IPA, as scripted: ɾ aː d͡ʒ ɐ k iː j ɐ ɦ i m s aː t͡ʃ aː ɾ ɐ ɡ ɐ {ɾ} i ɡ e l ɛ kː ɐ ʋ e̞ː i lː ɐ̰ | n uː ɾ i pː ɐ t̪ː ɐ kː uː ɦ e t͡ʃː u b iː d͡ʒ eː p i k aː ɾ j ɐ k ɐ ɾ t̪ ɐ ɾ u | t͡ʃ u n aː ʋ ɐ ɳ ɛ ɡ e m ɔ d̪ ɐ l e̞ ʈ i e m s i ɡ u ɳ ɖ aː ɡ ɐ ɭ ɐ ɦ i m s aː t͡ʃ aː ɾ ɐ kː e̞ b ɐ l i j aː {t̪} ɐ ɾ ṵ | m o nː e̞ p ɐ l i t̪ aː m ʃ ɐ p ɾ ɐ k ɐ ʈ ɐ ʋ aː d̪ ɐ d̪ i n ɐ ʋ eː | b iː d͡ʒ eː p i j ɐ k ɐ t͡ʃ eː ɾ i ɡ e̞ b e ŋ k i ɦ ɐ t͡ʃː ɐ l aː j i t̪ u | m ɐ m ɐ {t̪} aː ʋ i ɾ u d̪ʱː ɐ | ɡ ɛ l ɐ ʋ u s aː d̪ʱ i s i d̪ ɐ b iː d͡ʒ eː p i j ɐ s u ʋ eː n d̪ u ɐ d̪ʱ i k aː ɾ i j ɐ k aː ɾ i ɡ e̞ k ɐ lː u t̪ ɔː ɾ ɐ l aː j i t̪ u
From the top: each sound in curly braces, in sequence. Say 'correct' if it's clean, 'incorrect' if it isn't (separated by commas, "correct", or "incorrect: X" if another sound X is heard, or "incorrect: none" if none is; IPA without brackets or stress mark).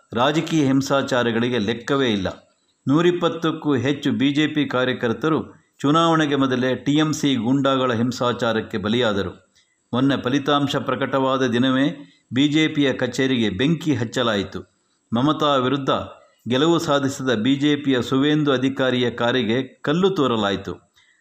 incorrect: ɭ, incorrect: d̪, correct